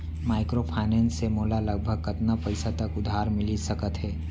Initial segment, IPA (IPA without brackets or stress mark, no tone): m